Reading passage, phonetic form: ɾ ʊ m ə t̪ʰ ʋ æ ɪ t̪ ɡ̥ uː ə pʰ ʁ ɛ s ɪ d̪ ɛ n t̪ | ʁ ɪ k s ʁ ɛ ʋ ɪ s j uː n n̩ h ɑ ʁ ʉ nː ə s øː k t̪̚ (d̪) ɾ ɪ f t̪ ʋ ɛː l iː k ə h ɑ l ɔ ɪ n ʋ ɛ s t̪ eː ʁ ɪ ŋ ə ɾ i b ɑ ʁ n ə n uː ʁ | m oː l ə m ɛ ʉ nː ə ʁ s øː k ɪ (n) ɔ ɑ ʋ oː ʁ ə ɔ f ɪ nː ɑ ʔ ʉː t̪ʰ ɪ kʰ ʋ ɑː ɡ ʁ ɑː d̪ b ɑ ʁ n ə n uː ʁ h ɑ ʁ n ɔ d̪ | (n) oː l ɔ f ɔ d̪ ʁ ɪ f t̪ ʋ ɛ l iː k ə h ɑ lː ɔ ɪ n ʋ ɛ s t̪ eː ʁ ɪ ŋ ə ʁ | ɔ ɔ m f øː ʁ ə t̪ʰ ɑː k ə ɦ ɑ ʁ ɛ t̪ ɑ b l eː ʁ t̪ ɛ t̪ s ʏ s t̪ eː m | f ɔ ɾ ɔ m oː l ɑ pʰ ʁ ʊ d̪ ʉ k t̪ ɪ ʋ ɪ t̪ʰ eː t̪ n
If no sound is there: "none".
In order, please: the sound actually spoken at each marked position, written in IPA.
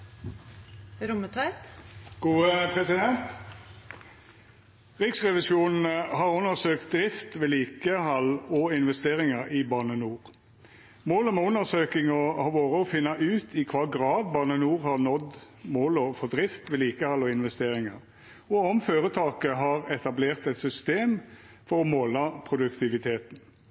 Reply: d̪, ŋ, m

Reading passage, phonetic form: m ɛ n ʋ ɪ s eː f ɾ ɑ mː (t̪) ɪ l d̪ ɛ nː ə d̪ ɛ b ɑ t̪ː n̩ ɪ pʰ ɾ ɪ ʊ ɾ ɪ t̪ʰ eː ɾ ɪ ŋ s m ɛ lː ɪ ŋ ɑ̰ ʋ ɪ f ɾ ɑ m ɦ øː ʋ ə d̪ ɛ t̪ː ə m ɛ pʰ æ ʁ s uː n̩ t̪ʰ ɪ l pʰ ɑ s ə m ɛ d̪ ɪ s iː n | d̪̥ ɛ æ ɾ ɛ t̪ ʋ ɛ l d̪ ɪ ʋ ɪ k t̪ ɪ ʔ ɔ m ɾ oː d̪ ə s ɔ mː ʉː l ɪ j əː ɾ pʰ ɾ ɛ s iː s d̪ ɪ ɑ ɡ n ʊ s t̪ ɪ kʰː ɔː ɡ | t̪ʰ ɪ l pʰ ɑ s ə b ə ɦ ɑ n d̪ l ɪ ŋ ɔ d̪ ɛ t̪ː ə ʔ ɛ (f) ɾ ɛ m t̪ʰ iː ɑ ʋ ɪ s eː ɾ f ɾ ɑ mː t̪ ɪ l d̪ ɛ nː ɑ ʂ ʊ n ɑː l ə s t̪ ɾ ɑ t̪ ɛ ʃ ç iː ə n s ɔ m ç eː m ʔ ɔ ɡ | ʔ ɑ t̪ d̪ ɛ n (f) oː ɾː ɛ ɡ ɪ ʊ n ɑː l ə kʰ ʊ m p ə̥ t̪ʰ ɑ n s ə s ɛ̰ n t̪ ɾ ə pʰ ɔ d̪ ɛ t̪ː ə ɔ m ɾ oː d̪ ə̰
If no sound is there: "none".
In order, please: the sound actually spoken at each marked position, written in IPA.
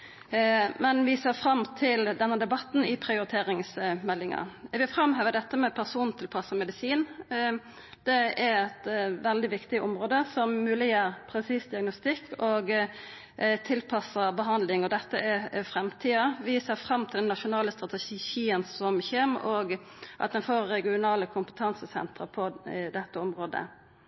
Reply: t̪ʰ, f, f

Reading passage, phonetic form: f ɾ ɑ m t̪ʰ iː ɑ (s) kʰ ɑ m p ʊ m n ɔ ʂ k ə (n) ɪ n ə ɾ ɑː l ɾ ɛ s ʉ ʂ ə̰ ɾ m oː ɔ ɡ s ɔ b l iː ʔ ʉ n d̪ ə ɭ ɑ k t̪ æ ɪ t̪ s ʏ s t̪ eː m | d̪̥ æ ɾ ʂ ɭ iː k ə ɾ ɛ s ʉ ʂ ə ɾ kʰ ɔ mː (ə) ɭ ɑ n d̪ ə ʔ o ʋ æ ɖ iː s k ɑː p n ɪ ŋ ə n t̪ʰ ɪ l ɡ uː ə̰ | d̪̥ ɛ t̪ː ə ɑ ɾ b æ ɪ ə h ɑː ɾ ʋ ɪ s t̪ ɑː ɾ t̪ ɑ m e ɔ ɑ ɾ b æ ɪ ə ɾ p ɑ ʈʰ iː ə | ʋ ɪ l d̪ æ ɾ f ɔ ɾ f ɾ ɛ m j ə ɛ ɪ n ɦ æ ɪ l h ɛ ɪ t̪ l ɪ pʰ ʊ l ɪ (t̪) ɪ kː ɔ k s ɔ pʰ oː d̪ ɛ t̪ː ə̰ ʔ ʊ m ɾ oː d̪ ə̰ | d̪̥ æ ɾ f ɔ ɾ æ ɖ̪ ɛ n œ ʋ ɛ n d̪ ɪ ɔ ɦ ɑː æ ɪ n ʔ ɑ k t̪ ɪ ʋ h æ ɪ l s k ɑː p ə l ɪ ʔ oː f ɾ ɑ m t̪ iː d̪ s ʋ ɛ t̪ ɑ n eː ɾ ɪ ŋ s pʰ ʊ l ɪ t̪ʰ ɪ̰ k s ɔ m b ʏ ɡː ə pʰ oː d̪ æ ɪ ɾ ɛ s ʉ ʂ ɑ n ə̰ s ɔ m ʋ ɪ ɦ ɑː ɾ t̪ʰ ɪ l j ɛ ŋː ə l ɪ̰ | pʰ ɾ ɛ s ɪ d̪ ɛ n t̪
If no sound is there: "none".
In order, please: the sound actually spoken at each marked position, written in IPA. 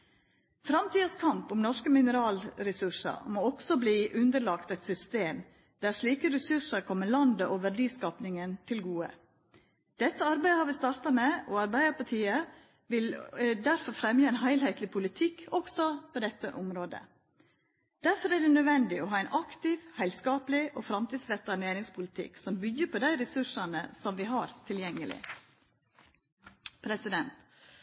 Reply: s, m, ə, t̪ʰ

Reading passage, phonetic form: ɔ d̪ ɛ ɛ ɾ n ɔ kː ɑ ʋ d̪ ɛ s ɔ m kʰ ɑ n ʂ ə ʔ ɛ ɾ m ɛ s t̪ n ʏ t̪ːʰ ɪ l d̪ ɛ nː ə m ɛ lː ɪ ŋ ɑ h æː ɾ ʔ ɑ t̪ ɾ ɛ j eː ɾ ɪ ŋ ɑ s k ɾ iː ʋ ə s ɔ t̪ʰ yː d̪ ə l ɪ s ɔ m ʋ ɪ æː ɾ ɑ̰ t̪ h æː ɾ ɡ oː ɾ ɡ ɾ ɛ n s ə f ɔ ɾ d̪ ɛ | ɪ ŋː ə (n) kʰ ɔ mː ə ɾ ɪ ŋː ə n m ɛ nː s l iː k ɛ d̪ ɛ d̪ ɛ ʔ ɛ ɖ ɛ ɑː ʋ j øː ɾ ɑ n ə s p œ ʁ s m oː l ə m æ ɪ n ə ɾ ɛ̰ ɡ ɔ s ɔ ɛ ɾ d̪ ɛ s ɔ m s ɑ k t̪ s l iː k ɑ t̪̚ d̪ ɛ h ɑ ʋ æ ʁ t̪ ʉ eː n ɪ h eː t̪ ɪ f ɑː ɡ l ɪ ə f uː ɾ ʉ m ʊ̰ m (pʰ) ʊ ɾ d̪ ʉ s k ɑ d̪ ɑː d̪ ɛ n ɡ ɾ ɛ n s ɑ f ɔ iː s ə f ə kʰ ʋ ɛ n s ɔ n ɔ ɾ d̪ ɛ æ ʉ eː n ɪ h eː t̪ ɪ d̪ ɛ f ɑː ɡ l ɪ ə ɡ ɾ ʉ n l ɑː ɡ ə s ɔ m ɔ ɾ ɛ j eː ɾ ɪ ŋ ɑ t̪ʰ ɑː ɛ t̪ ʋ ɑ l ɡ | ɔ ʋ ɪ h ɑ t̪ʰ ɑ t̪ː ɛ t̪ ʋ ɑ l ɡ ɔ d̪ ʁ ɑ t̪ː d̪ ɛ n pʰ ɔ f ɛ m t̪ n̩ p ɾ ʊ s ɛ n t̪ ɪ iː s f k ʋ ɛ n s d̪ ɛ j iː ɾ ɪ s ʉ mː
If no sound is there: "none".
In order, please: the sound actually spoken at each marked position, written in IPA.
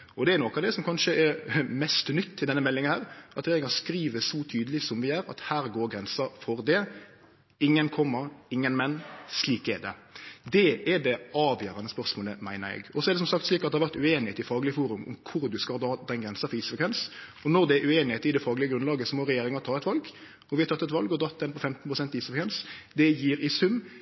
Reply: n, kʰ

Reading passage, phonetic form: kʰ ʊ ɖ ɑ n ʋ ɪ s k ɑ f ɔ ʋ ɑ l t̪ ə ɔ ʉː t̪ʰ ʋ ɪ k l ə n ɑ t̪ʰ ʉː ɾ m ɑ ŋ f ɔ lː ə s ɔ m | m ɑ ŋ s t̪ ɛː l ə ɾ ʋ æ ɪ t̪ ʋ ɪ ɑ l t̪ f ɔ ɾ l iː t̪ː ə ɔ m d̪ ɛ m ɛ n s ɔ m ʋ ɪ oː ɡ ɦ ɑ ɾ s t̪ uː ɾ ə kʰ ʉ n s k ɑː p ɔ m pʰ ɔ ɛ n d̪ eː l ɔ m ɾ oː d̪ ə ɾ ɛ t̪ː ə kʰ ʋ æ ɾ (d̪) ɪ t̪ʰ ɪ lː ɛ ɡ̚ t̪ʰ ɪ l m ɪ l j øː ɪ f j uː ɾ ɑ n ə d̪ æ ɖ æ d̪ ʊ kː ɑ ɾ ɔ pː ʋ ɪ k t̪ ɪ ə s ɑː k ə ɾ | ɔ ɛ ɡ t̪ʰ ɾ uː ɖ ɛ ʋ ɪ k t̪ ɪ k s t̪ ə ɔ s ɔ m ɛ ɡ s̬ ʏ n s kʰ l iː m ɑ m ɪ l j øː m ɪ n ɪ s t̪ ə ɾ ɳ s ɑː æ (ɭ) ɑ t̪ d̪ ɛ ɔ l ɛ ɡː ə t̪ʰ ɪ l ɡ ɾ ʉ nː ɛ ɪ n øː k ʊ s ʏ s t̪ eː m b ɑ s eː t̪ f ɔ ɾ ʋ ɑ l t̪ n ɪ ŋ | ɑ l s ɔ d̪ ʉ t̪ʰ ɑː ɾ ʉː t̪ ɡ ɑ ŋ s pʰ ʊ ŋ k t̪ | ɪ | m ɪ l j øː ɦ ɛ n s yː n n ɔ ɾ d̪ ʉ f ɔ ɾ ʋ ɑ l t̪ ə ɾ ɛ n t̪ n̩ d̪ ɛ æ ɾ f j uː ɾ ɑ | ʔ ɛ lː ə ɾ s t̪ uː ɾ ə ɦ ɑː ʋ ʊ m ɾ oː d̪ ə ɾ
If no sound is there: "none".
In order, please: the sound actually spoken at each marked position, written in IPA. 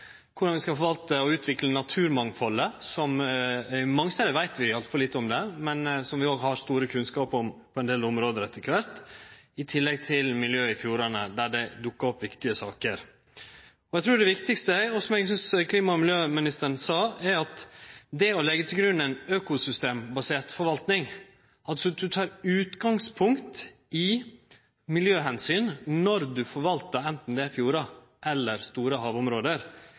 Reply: t̪, ɾ

